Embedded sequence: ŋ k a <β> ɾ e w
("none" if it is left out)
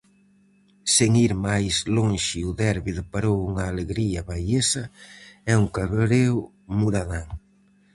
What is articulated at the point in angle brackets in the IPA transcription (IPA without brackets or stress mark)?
β